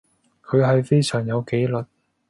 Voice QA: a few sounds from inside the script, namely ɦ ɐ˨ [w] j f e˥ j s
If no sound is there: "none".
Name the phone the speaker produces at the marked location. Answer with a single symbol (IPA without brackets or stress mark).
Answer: none